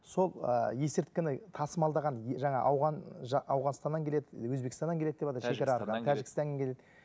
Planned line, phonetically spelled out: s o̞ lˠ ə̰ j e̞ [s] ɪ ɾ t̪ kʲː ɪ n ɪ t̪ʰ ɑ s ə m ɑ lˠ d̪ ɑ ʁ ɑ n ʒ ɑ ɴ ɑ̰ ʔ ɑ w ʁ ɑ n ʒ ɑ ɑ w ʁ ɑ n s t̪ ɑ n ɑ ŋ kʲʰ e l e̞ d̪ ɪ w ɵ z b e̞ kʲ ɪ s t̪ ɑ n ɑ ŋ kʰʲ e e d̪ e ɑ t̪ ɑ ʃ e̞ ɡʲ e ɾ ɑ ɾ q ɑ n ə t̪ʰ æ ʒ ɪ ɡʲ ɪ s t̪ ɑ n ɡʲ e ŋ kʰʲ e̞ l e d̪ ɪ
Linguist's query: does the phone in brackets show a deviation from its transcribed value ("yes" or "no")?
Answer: no